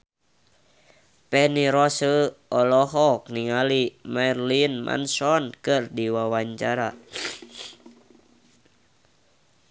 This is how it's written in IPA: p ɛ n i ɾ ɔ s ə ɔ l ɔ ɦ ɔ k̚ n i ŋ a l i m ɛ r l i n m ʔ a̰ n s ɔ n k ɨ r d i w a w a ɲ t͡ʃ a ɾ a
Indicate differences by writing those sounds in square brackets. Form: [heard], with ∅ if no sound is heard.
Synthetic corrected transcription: p ɛ n i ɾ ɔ s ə ɔ l ɔ ɦ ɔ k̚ n i ŋ a l i m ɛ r l i n m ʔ a̰ n s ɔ n k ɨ r d i w a w a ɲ t͡ʃ a ɾ a